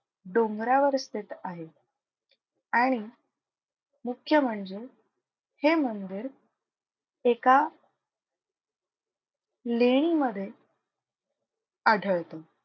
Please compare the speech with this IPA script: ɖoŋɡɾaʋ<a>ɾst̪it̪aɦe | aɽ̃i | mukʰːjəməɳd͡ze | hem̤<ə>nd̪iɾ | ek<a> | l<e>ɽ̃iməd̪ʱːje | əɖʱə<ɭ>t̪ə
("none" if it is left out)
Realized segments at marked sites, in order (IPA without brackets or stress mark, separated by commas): ə, ə, a, e, ɭ